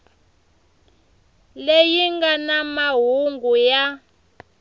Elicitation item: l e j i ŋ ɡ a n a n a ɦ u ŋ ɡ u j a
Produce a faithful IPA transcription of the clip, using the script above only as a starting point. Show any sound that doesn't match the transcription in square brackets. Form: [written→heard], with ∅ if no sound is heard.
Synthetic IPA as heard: l e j i ŋ ɡ a n a [n→m] a ɦ u ŋ ɡ u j a